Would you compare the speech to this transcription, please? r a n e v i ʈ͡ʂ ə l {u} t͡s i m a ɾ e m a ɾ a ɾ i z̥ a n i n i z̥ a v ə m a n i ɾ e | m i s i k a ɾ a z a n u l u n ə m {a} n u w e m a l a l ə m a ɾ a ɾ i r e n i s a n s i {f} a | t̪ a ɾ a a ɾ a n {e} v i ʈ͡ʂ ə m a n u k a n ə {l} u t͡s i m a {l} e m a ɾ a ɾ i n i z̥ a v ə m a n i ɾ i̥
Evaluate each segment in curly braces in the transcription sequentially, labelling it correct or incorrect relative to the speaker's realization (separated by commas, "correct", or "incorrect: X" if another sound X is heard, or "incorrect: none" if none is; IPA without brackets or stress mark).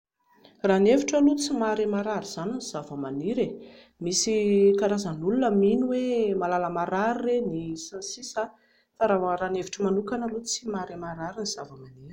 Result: correct, incorrect: i, incorrect: s, correct, correct, incorrect: ɾ